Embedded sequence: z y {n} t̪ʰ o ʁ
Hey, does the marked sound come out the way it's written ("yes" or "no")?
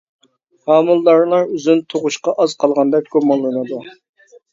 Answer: yes